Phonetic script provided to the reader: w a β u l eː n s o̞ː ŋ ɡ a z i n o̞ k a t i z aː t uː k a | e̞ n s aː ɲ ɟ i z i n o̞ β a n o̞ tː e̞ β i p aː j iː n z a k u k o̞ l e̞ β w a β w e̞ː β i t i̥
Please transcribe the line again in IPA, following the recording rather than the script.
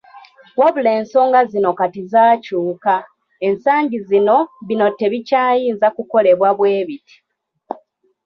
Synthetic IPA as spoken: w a β u l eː n s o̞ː ŋ ɡ a z i n o̞ k a t i z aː c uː k a | e̞ n s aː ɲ ɟ i z i n o̞ β i n o̞ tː e̞ β i c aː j iː n z a k u k o̞ l e̞ β w a β w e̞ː β i t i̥